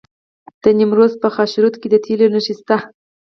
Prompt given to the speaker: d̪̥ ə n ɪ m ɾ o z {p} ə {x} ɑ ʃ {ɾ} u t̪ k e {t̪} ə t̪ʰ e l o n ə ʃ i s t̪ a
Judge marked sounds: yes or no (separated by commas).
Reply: yes, yes, yes, no